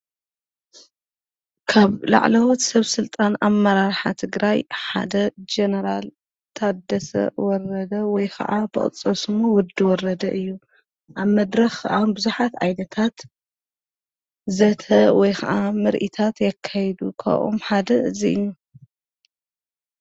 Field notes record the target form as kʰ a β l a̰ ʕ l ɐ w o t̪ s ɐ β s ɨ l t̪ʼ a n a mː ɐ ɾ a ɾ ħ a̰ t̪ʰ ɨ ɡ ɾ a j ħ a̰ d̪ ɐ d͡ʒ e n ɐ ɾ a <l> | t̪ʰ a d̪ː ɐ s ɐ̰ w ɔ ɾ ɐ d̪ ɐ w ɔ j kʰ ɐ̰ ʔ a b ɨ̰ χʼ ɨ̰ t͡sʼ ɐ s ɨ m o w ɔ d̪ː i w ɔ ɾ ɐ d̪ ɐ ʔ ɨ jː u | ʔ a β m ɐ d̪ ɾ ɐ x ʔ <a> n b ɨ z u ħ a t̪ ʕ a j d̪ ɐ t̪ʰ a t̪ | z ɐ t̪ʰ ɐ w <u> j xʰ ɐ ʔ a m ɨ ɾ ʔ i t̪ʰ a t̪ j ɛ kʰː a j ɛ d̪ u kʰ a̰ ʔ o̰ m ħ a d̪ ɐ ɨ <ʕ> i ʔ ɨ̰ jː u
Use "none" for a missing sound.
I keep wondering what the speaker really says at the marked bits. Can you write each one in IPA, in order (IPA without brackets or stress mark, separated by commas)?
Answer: l, a, ɔ, z